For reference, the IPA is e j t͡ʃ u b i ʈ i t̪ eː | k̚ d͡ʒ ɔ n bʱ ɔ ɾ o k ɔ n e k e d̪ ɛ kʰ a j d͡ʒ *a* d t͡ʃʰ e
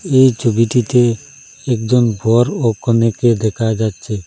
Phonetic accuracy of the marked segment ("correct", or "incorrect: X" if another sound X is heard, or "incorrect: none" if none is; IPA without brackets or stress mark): correct